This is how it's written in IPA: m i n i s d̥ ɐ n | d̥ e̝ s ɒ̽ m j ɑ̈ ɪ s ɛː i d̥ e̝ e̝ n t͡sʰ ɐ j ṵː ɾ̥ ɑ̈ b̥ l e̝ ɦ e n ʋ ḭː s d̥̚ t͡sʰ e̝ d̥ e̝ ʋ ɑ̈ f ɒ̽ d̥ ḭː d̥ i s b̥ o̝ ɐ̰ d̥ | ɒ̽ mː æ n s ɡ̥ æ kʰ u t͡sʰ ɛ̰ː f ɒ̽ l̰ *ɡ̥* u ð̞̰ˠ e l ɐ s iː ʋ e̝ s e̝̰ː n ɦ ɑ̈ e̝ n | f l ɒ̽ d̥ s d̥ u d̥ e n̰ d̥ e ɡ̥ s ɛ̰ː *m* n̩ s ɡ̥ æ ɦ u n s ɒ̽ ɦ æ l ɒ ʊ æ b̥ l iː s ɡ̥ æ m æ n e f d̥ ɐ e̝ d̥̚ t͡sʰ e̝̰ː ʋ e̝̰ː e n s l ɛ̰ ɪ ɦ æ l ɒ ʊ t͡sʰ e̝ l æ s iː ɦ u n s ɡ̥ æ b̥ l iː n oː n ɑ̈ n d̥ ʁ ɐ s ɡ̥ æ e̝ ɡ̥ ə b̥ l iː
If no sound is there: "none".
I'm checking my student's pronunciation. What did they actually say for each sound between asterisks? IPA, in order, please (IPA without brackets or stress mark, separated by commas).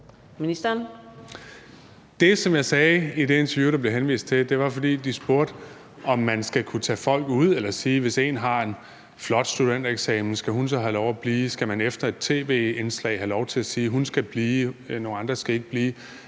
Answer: ɡ̥, m